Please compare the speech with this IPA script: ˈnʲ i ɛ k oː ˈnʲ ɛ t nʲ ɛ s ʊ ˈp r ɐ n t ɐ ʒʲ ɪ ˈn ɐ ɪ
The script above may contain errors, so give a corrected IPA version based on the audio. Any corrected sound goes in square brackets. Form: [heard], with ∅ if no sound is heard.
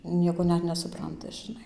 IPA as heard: ˈnʲ i ɛ k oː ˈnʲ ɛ t nʲ ɛ s ʊ ˈp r ɐ n t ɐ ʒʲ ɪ ˈn ɐ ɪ